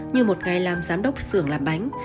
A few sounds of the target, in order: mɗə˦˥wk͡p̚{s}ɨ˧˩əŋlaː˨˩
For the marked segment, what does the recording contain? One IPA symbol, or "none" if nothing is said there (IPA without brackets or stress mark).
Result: s